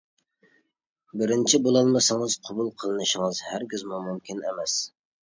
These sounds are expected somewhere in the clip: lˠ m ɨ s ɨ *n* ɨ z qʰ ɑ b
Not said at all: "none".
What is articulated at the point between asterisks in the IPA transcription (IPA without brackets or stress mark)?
ŋ